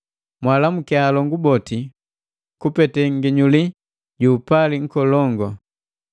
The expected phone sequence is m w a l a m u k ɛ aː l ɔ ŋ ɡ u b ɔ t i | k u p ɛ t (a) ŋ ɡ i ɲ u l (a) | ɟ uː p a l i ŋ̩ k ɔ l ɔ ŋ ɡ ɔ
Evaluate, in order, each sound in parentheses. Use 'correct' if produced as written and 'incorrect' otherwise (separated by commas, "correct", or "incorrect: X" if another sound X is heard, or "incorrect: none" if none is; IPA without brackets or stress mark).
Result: incorrect: ɛ, incorrect: i